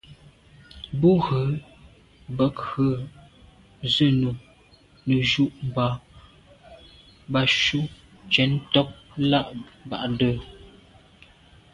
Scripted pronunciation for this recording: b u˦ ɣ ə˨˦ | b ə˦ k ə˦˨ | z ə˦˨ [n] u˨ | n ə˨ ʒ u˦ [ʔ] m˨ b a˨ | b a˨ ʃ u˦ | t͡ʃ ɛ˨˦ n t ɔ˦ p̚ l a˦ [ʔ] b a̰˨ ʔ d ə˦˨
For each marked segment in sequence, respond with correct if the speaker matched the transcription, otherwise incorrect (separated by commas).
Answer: correct, correct, correct